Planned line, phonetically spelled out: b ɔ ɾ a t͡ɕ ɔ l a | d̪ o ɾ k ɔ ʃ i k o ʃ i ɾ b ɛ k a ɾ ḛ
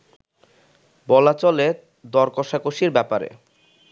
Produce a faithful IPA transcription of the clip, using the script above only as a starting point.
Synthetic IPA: b ɔ l a t͡ɕ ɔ l e | d̪ ɔ ɾ k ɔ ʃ a k o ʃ i ɾ b ɛ p a ɾ ḛ